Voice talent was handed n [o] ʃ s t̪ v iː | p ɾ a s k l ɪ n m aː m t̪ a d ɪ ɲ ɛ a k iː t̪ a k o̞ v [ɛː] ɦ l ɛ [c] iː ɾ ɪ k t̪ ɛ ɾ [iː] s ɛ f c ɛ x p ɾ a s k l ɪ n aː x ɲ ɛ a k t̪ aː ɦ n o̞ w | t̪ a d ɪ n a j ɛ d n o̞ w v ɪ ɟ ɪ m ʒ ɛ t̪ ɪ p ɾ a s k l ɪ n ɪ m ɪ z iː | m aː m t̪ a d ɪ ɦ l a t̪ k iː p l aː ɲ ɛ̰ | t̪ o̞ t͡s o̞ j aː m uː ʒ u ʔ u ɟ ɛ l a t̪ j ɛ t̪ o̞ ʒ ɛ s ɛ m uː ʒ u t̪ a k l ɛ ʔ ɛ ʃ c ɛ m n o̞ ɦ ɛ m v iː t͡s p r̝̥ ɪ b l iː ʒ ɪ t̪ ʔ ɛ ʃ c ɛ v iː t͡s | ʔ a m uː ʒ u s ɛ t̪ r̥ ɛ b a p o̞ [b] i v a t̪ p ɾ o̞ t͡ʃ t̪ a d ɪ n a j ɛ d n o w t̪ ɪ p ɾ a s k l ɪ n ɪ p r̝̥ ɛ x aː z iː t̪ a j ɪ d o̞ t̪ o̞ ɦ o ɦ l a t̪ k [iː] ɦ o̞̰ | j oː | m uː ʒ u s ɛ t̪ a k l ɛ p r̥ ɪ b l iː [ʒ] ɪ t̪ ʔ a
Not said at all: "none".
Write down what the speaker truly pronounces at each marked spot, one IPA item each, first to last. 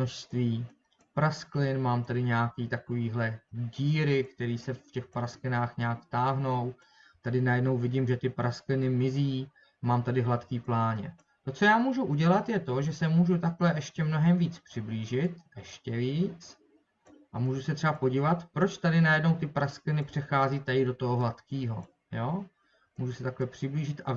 o, iː, ɟ, iː, ɟ, iː, ʒ

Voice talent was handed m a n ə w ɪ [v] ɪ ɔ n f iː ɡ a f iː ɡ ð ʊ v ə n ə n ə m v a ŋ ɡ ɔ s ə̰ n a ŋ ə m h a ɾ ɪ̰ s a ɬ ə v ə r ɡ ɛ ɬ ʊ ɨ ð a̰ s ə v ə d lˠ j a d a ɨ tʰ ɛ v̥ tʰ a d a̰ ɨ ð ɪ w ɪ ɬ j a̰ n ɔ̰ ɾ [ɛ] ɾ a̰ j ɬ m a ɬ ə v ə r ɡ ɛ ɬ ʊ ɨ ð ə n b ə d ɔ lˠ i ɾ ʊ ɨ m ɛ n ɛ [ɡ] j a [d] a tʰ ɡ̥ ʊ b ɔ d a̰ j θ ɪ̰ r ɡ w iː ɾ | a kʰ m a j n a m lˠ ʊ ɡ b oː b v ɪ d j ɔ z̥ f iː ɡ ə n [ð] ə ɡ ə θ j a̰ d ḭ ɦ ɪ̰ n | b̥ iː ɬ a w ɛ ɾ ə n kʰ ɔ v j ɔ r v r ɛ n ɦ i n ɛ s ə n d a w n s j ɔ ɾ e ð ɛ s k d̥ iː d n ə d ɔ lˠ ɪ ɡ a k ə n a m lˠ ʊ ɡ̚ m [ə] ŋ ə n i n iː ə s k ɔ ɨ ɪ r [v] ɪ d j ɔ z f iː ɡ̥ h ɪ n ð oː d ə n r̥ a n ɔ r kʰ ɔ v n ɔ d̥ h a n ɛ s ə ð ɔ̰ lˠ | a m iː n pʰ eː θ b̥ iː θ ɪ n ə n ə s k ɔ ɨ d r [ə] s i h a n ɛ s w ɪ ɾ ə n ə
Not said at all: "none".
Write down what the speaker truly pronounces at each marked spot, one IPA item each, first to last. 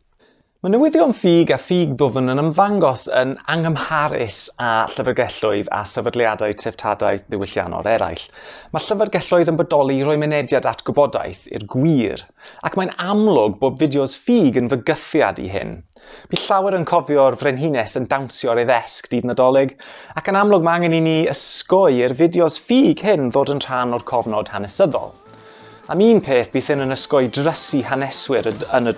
ð, ɛ, d, d, v, a, v, ə

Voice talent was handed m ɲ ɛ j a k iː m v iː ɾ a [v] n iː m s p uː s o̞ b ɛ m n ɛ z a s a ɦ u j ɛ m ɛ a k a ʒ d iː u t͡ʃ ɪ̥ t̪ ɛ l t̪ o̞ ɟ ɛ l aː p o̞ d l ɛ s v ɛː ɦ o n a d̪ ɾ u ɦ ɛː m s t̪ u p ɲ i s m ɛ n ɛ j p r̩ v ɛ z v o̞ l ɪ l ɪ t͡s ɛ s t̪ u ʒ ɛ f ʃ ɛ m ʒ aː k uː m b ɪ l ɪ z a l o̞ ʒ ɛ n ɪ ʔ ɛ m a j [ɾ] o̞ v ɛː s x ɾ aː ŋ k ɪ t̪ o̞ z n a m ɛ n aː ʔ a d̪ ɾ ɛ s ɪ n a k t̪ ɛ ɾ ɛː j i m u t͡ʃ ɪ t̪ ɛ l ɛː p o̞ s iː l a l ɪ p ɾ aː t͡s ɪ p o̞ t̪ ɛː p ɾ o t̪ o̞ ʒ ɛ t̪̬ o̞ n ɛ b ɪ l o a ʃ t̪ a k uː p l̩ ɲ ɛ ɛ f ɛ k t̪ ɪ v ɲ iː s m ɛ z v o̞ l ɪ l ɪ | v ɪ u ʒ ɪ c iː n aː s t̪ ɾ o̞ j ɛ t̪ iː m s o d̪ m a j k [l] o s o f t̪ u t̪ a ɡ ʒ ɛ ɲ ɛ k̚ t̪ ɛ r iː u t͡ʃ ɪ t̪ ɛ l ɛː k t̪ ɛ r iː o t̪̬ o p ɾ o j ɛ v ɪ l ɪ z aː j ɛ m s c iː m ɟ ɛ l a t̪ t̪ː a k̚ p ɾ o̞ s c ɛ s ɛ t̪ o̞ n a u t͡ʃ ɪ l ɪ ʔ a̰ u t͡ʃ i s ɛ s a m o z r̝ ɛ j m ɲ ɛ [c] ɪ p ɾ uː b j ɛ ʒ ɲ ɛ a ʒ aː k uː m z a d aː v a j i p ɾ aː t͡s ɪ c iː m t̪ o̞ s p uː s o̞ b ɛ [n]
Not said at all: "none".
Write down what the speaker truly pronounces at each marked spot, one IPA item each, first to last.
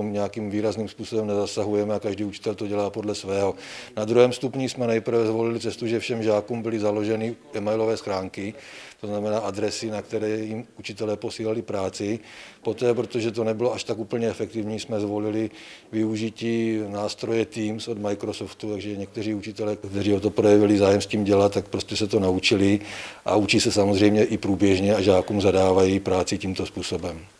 z, l, ɾ, ʔ, m

